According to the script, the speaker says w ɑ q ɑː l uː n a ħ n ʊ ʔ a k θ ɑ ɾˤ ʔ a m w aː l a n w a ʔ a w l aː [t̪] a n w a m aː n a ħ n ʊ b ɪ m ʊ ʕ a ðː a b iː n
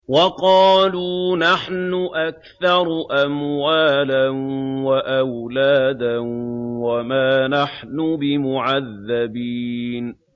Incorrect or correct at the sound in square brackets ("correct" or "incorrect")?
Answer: incorrect